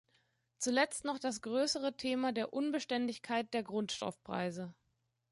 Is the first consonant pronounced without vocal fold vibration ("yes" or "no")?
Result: yes